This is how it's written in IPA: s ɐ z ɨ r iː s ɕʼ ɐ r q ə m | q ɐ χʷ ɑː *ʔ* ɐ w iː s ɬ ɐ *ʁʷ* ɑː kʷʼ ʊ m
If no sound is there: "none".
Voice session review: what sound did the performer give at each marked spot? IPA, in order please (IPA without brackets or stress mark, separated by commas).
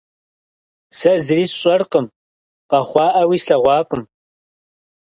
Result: ʔ, ʁʷ